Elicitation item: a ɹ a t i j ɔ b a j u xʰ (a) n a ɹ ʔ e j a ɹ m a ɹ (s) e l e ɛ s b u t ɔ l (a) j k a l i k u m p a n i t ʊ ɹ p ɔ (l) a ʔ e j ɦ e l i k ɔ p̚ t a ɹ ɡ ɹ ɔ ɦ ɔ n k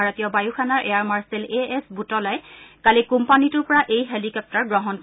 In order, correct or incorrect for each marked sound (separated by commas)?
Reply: correct, correct, correct, incorrect